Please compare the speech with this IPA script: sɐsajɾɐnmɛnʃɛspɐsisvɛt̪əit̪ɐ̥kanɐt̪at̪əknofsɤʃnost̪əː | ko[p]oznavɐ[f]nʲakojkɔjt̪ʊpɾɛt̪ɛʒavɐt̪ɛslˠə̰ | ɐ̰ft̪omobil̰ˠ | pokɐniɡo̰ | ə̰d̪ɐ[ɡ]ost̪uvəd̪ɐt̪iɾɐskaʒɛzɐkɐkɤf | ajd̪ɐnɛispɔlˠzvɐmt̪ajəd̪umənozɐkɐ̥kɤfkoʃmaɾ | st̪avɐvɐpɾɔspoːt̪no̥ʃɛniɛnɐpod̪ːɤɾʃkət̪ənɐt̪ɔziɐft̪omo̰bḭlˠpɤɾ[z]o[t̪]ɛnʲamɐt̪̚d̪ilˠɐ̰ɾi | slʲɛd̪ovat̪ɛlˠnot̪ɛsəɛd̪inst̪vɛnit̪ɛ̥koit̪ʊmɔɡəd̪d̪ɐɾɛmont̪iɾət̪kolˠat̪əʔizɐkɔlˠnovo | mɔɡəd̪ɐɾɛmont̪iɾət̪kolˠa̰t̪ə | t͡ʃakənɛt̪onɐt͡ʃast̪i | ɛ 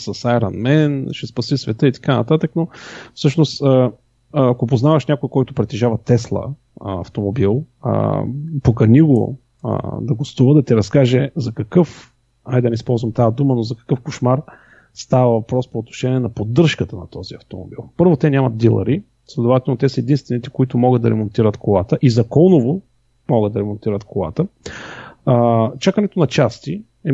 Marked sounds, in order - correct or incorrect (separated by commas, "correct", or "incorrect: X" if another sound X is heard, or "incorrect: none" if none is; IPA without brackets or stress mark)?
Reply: correct, incorrect: ʃ, correct, incorrect: v, correct